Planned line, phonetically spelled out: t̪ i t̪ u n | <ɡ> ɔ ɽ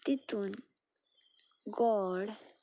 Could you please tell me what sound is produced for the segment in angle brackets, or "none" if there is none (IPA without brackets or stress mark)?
ɡ